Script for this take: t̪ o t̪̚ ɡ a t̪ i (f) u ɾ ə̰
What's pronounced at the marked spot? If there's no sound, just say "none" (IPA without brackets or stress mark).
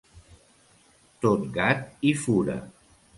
f